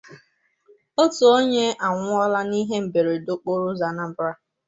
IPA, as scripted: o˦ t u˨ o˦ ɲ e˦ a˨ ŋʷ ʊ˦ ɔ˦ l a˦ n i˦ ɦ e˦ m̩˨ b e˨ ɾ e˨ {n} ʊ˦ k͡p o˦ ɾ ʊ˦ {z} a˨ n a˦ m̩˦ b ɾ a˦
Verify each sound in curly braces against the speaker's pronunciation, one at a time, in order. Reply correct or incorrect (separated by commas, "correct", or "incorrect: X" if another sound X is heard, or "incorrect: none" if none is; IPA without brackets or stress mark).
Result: incorrect: d, correct